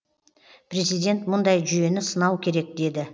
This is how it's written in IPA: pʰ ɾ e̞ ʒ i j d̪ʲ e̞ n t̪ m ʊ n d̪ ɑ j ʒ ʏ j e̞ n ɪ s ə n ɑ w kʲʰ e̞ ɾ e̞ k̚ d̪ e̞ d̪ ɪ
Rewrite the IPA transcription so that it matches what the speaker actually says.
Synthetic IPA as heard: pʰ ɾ e̞ z i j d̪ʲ e̞ n t̪ m ʊ n d̪ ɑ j ʒ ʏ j e̞ n ɪ s ə n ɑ w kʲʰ e̞ ɾ e̞ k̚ d̪ e̞ d̪ ɪ

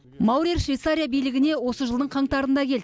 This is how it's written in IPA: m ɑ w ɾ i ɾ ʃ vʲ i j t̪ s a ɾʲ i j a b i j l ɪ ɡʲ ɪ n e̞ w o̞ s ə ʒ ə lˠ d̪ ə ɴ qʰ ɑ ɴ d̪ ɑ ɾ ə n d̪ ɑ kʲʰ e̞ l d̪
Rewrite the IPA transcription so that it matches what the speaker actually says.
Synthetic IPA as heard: m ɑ w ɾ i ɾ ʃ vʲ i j t̪ s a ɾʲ i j a b i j l ɪ ɡʲ ɪ n e̞ w o̞ s ə ʒ ə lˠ d̪ ə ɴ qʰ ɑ ɴ t̪ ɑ ɾ ə n d̪ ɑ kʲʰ e̞ l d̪

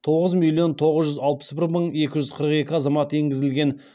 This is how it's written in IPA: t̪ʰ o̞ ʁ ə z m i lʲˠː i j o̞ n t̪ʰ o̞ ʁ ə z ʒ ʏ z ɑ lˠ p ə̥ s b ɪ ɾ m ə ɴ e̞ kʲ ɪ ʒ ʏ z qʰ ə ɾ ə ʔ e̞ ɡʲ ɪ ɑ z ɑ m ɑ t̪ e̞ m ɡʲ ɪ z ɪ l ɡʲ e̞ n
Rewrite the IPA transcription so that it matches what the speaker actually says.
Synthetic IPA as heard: t̪ʰ o̞ ʁ ə z m i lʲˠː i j o̞ n t̪ʰ o̞ ʁ ə z ʒ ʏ z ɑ lˠ p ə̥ s b ɪ ɾ m ə ɴ e̞ kʲ ɪ ʒ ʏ z qʰ ə ɾ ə q e̞ kʲ ɪ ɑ z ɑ m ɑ t̪ e̞ ŋ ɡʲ ɪ z ɪ l ɡʲ e̞ n

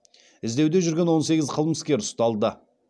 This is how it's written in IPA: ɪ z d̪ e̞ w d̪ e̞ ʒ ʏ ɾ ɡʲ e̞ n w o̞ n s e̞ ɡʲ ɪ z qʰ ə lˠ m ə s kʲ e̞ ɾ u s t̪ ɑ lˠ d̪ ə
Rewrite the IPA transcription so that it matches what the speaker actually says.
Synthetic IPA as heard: ɪ z d̪ e̞ w d̪ e̞ ʒ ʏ ɾ ɡʲ e̞ n w o̞ n s e̞ ɡʲ ɪ z qʰ ə lˠ m ə s kʲ e̞ ɾ ʊ s t̪ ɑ lˠ d̪ ə

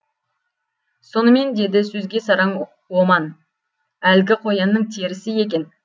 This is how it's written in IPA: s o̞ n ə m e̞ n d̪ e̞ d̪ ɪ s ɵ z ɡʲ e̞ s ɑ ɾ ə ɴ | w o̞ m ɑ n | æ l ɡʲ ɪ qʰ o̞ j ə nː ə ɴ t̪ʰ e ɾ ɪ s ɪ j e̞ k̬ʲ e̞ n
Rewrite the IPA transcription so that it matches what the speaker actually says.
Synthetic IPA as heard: s o̞ n ə m e̞ n d̪ e̞ d̪ ɪ s ɵ z ɡʲ e̞ s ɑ ɾ ɑ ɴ | w o̞ m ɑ n | æ l ɡʲ ɪ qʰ o̞ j ɑ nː ə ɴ t̪ʰ e ɾ ɪ s ɪ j e̞ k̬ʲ e̞ n

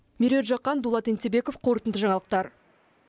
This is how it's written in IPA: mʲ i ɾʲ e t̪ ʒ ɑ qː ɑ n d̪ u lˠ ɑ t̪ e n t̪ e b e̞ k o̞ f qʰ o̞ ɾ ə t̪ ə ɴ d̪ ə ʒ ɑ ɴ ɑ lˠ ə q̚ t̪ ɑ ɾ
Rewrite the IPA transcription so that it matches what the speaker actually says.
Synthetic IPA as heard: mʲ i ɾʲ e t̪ ʒ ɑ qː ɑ n d̪ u lˠ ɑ t̪ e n t̪ e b e̞ k o̞ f qʰ o̞ ɾ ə t̪ ə n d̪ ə ʒ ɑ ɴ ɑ lˠ ə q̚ t̪ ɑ ɾ

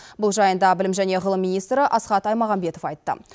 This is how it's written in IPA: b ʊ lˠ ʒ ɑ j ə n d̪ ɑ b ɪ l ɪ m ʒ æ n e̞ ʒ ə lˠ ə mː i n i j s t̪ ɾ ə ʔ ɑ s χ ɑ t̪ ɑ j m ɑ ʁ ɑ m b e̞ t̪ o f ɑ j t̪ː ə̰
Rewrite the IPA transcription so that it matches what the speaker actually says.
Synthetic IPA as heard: b ʊ lˠ ʒ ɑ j ə n d̪ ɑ b ɪ l ɪ m ʒ æ n e̞ ʁ ə lˠ ə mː i n i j s t̪ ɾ ə ʔ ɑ s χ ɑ t̪ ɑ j m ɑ ʁ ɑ m b e̞ t̪ o f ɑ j t̪ː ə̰

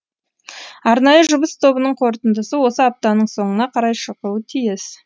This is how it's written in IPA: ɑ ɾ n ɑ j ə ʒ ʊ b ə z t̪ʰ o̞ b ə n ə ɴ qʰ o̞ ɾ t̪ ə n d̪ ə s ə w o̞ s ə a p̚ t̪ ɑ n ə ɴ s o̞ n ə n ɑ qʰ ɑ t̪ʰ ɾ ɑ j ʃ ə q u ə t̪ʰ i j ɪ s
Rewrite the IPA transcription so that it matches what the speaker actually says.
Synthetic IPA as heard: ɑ ɾ n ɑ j ə ʒ ʊ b ə s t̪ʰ o̞ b ə n ə ɴ qʰ o̞ ɾ t̪ ə n d̪ ə s ə w o̞ s ə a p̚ t̪ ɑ n ə ɴ s o̞ ɴ ə n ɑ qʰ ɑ ɾ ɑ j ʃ ə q u ə t̪ʰ i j ɪ s

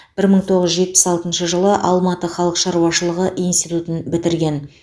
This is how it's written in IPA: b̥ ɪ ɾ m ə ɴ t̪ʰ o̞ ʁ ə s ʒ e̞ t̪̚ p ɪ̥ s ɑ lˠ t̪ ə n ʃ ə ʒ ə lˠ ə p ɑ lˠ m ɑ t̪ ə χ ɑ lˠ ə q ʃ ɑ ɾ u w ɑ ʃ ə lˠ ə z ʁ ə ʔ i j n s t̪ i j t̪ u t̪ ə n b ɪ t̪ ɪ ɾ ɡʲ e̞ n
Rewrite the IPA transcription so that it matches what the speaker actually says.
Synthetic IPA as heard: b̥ ɪ ɾ m ə ɴ t̪ʰ o̞ ʁ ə z ʒ e̞ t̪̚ p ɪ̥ s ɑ lˠ t̪ ə n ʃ ə ʒ ə lˠ ə ʔ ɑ lˠ m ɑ t̪ ə χ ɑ lˠ ə q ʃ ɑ ɾ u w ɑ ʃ ə lˠ ə ʁ ə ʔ i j n s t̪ i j t̪ u t̪ ə n b ɪ t̪ ɪ ɾ ɡʲ e̞ n

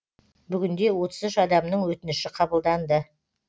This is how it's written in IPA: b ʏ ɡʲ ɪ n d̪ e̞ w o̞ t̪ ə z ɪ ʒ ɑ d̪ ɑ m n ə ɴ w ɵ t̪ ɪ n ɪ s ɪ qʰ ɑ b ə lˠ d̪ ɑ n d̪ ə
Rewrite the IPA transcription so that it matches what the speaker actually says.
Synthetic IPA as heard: b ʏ ɡʲ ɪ n d̪ e̞ w o̞ t̪ ə z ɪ ʃ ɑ d̪ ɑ m n ə ɴ w ɵ t̪ ɪ n ɪ ʃ ɪ qʰ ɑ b ə lˠ d̪ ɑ n d̪ ə

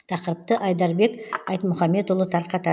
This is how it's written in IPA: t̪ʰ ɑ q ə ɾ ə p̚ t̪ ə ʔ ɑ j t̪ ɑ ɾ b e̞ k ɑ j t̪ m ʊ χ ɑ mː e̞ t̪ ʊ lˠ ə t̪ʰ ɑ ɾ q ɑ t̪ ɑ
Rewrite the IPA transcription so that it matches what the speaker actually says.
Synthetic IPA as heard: t̪ʰ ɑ q ə ɾ ə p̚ t̪ ə ʔ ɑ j d̪ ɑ ɾ b e̞ k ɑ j t̪ m ʊ χ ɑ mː e̞ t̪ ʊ lˠ ə t̪ʰ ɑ ɾ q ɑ t̪ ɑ

